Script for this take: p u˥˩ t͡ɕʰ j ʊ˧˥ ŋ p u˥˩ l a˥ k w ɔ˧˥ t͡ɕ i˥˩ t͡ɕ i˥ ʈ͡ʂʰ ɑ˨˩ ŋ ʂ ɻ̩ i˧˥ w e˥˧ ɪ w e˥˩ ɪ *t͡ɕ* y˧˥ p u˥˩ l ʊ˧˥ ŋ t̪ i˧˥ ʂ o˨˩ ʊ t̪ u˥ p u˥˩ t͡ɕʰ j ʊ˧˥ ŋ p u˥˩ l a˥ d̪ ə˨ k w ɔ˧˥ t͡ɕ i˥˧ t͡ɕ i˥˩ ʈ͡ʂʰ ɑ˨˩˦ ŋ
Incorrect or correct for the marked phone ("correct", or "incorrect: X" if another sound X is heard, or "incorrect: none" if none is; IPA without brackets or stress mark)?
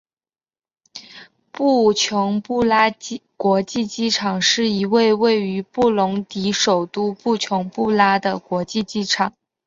incorrect: none